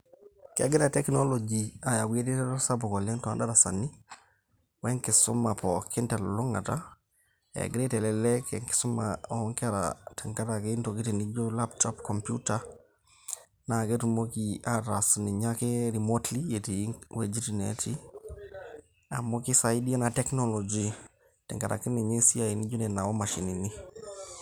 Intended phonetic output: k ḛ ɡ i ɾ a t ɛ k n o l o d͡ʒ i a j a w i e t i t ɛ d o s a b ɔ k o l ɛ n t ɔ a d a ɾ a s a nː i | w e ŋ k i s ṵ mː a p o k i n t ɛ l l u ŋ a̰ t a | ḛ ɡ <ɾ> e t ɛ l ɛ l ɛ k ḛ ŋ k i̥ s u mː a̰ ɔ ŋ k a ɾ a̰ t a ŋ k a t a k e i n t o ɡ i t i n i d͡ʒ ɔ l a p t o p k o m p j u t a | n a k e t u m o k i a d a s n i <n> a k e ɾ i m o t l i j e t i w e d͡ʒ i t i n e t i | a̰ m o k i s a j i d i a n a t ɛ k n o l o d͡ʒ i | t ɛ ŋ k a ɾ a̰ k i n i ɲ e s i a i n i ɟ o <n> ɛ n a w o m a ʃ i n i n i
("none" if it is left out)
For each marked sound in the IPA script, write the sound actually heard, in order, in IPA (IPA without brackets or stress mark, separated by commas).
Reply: ɾ, ɲ, n